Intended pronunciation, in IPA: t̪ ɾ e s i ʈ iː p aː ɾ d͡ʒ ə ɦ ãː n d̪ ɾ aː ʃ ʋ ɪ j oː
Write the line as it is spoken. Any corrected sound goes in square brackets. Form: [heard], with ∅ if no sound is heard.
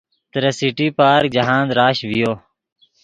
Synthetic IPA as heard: t̪ ɾ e s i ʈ iː p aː ɾ d͡ʒ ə ɦ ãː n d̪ ɾ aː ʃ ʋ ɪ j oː